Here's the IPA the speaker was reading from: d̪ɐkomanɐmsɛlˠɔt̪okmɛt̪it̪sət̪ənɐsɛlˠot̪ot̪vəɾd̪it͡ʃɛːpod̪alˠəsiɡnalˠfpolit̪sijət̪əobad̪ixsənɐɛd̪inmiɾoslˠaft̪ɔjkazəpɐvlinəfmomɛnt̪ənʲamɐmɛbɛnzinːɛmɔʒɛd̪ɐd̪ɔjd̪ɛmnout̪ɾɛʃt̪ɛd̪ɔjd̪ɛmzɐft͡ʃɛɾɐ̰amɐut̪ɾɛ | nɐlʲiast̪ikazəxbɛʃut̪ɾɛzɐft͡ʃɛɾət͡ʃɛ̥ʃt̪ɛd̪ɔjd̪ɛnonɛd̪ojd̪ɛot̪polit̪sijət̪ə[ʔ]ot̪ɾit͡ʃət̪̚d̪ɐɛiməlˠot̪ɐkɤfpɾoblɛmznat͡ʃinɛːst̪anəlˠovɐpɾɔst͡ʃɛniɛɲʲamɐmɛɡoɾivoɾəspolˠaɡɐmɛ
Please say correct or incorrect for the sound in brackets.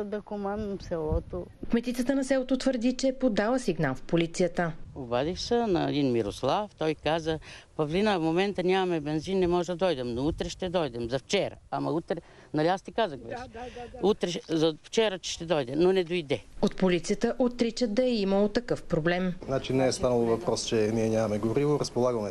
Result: correct